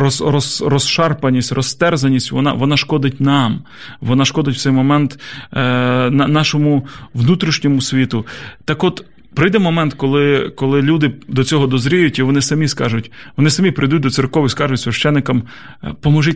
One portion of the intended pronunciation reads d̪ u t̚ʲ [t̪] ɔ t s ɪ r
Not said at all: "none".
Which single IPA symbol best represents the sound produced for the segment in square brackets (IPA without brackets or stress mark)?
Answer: d̪